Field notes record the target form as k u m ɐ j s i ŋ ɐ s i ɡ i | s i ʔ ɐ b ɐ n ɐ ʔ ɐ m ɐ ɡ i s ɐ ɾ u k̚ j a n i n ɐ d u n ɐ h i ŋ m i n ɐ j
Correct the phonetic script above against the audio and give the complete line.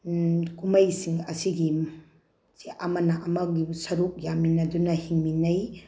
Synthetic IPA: k u m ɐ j s i ŋ ɐ s i ɡ i | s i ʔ ɐ m ɐ n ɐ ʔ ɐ m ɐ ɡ i s ɐ ɾ u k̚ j a m i n ɐ d u n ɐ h i ŋ m i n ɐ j